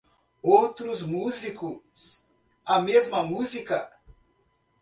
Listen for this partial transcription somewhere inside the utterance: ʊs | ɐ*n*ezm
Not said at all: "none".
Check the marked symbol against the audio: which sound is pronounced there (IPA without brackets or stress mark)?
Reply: m